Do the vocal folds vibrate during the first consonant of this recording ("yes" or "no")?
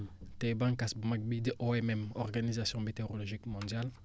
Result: no